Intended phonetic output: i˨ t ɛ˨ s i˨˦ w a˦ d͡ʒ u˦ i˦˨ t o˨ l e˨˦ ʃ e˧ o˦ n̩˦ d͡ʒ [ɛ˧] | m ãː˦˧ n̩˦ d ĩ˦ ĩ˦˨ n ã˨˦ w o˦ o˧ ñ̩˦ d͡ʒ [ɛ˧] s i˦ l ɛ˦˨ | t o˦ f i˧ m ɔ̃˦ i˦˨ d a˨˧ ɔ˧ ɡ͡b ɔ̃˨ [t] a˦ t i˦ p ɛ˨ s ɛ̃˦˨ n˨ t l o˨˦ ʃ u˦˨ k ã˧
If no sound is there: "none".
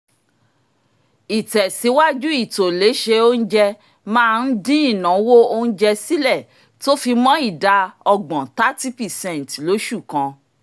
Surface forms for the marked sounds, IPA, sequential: ɛ˧, ɛ˧, t

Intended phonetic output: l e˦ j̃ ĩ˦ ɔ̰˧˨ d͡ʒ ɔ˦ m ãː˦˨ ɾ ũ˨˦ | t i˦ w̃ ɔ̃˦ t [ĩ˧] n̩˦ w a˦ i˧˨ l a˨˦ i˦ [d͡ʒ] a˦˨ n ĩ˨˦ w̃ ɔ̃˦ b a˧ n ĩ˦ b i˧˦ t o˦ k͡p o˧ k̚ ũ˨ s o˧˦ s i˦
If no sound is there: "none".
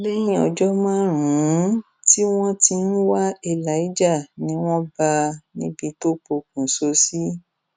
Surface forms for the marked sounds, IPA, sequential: i˧, d͡ʒ

